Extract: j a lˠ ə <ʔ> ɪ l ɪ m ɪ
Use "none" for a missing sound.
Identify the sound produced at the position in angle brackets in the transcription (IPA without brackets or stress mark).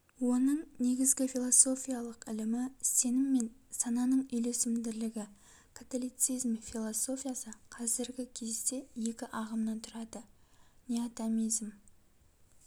q